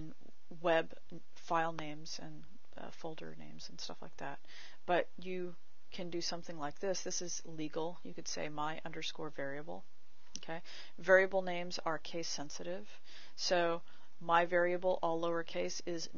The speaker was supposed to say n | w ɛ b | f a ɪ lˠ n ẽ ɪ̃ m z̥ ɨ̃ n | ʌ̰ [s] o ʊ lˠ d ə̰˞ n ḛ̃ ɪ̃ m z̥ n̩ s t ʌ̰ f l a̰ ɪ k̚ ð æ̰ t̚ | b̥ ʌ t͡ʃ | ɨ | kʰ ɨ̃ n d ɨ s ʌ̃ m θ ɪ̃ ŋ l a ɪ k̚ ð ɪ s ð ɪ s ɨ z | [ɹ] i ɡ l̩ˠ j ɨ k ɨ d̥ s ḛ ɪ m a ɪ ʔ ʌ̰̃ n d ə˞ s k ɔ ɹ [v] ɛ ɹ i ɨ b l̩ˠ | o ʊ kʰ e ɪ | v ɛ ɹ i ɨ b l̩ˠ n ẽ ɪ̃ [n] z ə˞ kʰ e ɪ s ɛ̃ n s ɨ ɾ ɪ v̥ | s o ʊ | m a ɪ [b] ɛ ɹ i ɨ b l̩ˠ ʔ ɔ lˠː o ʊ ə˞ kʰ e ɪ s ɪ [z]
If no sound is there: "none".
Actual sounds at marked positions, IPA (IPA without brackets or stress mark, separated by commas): f, l, v, m, v, z